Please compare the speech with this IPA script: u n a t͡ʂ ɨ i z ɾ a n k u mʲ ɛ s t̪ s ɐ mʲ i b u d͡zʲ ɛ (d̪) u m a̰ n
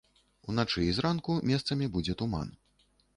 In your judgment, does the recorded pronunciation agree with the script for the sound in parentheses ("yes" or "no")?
no